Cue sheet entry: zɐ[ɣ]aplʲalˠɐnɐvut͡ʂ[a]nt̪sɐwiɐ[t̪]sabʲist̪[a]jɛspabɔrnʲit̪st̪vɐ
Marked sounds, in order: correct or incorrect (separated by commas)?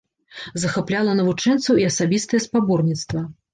incorrect, incorrect, incorrect, incorrect